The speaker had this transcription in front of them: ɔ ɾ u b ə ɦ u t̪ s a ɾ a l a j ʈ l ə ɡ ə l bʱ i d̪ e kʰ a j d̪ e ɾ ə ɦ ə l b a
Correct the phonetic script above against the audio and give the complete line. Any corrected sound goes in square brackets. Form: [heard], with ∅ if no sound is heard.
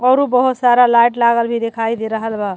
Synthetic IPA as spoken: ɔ ɾ u b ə ɦ u t̪ s a ɾ a l a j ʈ l [a] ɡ ə l bʱ i d̪ e kʰ a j d̪ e ɾ ə ɦ ə l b a